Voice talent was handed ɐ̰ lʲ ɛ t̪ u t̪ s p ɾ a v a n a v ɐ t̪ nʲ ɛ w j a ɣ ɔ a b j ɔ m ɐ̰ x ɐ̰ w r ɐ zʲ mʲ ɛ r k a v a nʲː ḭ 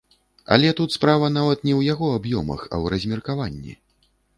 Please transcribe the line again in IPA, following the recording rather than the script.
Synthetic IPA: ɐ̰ lʲ ɛ t̪ u t̪ s p ɾ a v ɐ n a v ɐ t̪ nʲ ɛ w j a ɣ ɔ a b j ɔ m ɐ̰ x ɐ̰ w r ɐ zʲ mʲ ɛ r k a v a nʲː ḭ